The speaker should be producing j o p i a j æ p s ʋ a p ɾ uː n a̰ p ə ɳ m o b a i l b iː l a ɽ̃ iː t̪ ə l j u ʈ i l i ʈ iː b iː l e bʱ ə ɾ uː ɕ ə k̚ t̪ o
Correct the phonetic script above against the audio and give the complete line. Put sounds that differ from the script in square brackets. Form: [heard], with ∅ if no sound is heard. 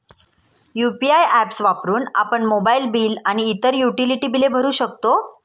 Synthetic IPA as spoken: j [u] p i a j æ p s ʋ a p ɾ uː n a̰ p ə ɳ m o b a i l b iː l a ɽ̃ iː t̪ ə [ɾ] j u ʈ i l i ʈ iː b [i] l e bʱ ə ɾ uː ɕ ə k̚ t̪ o